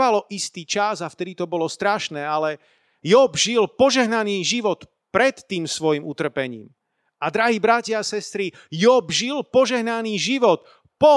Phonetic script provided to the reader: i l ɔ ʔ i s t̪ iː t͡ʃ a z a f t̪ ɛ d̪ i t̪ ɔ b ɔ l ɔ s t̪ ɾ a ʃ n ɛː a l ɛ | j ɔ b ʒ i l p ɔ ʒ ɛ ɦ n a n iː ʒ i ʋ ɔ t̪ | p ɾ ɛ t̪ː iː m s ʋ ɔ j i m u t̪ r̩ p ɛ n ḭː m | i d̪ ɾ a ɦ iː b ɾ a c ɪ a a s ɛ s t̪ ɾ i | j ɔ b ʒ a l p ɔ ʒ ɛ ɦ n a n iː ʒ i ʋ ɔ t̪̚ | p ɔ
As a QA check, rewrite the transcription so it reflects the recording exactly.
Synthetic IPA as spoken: a l ɔ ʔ i s t̪ iː t͡ʃ a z a f t̪ ɛ d̪ i t̪ ɔ b ɔ l ɔ s t̪ ɾ a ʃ n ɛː a l ɛ | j ɔ b ʒ i l p ɔ ʒ ɛ ɦ n a n iː ʒ i ʋ ɔ t̪ | p ɾ ɛ t̪ː iː m s ʋ ɔ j i m u t̪ r̩ p ɛ ɲ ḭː m | a d̪ ɾ a ɦ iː b ɾ a c ɪ a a s ɛ s t̪ ɾ i | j ɔ b ʒ i l p ɔ ʒ ɛ ɦ n a n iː ʒ i ʋ ɔ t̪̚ | p ɔ